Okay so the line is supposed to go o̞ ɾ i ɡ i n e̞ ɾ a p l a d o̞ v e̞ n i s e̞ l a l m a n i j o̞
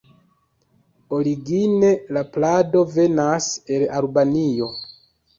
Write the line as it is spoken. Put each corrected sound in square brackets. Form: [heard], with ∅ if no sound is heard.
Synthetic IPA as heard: o̞ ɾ i ɡ i n e̞ [l] a p l a d o̞ v e̞ n [a] s e̞ l a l [b] a n i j o̞